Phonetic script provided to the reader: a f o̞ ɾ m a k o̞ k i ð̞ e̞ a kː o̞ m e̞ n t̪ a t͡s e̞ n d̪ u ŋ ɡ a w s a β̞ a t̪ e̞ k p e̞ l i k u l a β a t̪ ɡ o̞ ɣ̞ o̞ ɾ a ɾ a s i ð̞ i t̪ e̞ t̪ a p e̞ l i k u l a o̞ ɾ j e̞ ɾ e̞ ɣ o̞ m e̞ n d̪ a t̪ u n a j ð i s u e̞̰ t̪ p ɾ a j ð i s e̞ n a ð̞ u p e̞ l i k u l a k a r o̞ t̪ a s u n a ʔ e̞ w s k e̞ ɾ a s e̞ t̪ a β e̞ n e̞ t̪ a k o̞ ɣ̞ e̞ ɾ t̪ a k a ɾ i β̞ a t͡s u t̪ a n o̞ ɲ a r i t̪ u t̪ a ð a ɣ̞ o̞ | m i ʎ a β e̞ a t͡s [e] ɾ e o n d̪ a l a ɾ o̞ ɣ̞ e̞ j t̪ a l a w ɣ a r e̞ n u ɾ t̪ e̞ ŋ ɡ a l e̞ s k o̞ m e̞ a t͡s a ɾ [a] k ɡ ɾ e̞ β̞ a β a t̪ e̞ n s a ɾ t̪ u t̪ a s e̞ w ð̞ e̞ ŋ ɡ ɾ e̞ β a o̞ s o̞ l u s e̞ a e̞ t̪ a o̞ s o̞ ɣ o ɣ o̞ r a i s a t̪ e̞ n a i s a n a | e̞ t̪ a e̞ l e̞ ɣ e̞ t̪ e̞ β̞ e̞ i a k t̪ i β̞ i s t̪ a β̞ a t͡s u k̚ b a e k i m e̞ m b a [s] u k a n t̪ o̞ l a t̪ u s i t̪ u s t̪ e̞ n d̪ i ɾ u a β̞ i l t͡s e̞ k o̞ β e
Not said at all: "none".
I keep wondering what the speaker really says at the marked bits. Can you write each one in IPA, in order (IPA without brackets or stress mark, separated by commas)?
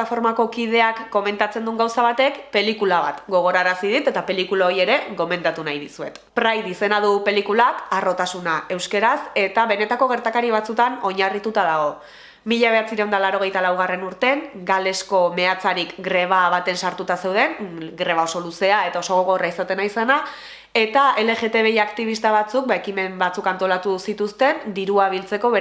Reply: i, i, t͡s